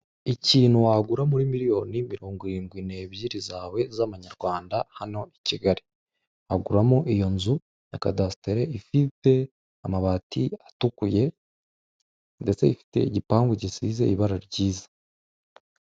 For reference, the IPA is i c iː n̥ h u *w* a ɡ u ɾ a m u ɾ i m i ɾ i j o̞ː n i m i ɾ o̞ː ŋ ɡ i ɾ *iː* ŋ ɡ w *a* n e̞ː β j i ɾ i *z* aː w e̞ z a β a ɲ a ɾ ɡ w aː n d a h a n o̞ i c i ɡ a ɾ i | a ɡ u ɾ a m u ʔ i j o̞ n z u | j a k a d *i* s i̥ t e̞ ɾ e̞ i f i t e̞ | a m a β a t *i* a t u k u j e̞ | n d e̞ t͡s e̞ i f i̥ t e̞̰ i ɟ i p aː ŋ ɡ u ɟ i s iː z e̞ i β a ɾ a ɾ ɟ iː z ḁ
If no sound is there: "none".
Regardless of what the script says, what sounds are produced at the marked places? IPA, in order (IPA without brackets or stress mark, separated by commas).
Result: w, iː, i, z, a, i